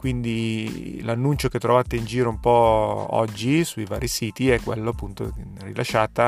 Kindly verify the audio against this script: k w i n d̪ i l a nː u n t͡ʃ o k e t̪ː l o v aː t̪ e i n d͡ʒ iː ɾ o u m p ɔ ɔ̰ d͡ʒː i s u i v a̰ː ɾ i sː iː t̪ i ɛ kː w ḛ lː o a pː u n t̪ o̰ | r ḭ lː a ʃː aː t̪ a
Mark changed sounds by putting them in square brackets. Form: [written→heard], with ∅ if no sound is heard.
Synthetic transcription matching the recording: k w i n d̪ i l a nː u n t͡ʃ o k e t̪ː [l→ɾ] o v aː t̪ e i n d͡ʒ iː ɾ o u m p ɔ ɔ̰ d͡ʒː i s u i v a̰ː ɾ i [sː→s] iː t̪ i ɛ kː w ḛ lː o a pː u n t̪ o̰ | r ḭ [lː→l] a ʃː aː t̪ a